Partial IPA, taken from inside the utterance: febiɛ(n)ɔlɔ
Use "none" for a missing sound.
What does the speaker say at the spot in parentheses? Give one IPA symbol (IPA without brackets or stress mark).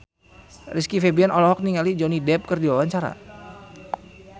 n